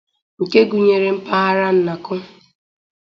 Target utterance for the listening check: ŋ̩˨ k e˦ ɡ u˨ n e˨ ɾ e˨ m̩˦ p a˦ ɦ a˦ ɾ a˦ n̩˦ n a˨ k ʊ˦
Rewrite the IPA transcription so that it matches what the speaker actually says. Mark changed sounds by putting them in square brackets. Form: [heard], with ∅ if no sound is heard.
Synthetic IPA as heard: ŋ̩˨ k e˦ ɡ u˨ [ɲ] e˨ ɾ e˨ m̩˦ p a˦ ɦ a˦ ɾ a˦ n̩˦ n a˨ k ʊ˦

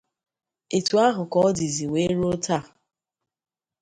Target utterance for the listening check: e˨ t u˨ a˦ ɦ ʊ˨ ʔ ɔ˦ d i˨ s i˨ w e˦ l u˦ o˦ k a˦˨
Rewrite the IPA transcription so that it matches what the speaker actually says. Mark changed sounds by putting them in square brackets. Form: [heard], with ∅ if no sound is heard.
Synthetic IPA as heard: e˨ t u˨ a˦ ɦ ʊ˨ [k] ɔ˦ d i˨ [z] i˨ w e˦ [ɾ] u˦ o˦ [t] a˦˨

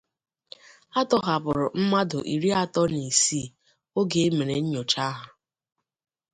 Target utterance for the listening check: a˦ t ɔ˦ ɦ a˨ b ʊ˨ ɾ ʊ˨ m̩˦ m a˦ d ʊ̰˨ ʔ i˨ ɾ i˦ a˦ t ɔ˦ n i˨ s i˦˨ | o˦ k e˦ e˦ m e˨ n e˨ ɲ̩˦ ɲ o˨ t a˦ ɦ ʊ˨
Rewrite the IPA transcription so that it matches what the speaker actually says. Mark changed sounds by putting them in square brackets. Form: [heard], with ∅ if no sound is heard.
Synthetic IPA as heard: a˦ t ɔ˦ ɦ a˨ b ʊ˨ ɾ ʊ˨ m̩˦ m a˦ d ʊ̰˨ ʔ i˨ ɾ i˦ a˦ t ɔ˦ n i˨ s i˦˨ | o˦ [ɡ] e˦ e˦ m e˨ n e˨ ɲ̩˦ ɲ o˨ [t͡ʃ] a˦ ɦ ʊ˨

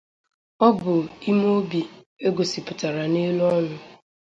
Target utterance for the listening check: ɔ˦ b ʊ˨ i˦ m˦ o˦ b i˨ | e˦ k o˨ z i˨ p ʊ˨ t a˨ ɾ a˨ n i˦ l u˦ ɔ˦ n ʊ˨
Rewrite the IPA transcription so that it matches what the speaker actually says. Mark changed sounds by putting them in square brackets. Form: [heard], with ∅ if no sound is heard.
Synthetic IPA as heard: ɔ˦ b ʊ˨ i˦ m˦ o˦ b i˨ | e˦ [ɡ] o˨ [s] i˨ p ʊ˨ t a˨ ɾ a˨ n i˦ l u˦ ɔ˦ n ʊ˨

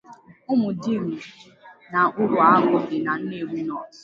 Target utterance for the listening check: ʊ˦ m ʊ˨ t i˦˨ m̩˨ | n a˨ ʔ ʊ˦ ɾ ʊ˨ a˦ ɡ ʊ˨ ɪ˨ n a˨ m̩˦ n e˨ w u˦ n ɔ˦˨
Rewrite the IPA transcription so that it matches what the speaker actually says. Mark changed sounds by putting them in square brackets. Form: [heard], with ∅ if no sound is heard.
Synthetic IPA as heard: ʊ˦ m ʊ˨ [d] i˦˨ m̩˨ | n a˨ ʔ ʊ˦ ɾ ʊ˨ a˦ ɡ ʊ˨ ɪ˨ n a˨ [n̩˦] n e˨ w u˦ n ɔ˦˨

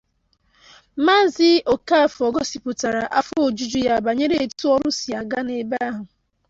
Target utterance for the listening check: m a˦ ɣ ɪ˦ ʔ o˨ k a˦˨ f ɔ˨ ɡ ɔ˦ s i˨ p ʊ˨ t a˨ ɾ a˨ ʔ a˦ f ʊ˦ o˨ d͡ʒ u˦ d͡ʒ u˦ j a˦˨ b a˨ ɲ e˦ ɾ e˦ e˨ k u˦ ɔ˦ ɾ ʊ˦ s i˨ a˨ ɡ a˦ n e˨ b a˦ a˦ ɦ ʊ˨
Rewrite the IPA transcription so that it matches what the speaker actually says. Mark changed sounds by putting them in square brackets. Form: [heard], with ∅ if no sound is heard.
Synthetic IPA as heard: m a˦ [z] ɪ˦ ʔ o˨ k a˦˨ f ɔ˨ ɡ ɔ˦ s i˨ p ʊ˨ t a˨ ɾ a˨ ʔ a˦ f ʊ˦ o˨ d͡ʒ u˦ d͡ʒ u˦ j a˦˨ b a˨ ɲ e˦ ɾ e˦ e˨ [t] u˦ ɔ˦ ɾ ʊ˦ s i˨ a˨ ɡ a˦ n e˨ b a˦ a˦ ɦ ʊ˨

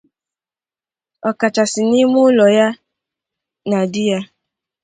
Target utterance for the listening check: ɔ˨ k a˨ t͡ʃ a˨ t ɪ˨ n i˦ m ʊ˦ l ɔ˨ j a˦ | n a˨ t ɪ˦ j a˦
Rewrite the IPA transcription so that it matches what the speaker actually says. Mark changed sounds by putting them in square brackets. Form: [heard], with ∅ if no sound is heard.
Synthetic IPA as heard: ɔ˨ k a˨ t͡ʃ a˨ [s] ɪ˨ n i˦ m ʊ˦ l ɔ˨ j a˦ | n a˨ [d] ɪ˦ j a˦

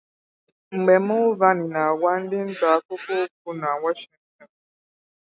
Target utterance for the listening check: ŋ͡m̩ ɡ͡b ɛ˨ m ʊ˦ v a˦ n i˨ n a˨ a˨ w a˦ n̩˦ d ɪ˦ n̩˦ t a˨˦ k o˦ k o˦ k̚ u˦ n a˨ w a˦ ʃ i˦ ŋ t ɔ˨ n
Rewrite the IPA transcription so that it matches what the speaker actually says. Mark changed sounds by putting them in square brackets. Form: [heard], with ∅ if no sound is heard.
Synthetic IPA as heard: ŋ͡m̩ ɡ͡b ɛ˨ m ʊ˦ v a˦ n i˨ n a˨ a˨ w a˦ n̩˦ d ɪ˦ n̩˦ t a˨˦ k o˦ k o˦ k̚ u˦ n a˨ w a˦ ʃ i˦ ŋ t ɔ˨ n

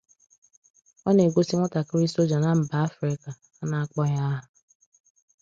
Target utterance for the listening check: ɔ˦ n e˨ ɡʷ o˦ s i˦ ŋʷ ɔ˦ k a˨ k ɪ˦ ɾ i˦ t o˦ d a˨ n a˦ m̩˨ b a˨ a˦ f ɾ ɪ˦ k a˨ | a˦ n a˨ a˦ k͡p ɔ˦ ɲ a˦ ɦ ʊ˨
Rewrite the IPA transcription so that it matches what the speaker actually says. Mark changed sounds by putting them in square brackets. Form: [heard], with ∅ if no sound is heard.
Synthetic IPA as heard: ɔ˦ n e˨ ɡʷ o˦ s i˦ ŋʷ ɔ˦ [t] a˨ k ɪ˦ ɾ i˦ [s] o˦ [d͡ʒ] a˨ n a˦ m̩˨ b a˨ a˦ f ɾ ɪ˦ k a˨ | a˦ n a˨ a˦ k͡p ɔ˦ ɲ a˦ ɦ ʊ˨

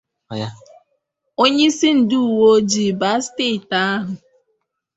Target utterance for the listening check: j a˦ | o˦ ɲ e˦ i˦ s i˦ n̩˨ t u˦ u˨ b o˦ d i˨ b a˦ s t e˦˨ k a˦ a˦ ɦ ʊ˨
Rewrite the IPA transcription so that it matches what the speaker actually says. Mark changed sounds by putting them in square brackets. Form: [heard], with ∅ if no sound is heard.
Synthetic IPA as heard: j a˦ | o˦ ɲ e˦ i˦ s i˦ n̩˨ [d] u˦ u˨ [w] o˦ [d͡ʒ] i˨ b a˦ s t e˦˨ [t] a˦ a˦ ɦ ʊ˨

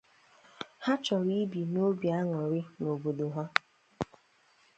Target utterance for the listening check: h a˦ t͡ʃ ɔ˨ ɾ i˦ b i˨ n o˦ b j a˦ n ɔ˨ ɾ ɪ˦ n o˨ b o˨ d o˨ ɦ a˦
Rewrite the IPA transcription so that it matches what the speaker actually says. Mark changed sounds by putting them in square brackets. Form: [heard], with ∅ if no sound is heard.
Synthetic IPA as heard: h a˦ t͡ʃ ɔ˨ ɾ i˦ b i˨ n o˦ b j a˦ [ŋ] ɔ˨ ɾ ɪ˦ n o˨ b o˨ d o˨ ɦ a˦

